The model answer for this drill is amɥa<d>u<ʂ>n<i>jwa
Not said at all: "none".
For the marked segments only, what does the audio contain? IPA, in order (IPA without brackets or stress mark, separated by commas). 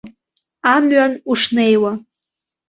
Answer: n, ʂ, e